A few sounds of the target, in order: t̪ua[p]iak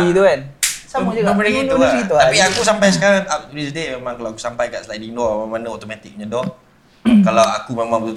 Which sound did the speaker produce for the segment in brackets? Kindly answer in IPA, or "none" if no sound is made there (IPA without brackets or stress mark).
p